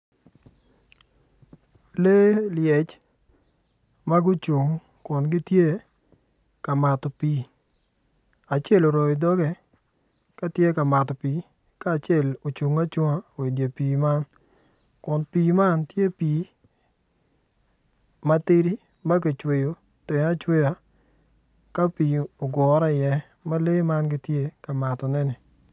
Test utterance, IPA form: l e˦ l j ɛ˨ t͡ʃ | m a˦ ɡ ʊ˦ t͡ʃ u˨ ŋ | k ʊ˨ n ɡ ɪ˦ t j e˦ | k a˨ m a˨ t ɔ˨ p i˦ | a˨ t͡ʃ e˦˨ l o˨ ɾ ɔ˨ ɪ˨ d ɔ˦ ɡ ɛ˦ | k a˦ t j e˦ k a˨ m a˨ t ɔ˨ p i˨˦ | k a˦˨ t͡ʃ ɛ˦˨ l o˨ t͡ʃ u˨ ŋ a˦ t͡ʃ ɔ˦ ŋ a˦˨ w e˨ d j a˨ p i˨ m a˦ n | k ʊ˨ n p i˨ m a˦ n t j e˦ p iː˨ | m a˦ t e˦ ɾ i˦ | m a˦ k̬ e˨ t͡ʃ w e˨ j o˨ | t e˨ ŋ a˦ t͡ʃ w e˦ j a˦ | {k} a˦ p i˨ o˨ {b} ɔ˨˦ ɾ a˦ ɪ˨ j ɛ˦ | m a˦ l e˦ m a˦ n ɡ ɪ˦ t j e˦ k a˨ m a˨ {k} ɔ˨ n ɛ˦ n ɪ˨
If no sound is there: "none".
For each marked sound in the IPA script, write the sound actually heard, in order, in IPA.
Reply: k, ɡ, t

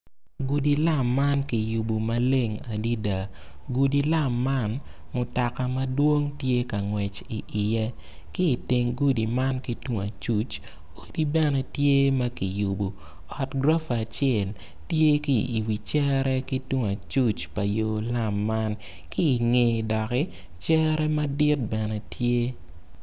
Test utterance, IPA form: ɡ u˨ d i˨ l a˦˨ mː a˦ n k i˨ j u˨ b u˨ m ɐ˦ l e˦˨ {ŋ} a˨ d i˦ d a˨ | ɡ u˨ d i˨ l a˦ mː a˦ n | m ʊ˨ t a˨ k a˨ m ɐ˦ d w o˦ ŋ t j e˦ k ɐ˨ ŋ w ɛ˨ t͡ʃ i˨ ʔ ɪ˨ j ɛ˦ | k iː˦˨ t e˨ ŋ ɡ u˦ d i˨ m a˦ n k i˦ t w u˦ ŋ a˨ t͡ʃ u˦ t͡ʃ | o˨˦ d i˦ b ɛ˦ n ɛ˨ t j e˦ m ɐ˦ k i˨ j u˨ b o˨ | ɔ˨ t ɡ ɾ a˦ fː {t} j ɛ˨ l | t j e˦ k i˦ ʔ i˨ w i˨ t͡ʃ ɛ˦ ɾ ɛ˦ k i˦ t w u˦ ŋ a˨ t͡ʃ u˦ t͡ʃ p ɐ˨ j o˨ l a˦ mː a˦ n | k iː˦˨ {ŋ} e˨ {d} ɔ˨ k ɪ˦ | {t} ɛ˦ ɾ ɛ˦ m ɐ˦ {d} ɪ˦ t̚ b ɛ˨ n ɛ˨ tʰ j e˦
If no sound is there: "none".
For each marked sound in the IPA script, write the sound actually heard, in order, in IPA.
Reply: ŋ, t͡ʃ, ŋ, d, t͡ʃ, d

